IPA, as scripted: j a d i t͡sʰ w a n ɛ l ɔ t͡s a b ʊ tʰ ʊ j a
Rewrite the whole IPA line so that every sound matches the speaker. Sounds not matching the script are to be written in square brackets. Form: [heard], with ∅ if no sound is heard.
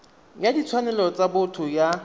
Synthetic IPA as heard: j a d i t͡sʰ w a n ɛ l ɔ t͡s a b ʊ tʰ ʊ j a